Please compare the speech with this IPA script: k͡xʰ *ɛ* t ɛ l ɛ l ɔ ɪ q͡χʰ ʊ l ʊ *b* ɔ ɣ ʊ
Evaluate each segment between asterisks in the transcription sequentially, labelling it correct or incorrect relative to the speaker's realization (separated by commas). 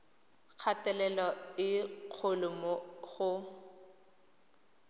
incorrect, incorrect